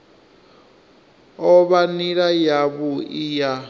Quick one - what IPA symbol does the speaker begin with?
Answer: ɔ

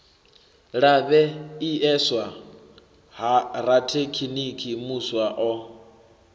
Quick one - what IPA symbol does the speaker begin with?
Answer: ɺ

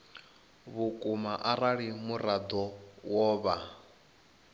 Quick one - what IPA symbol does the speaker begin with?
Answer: β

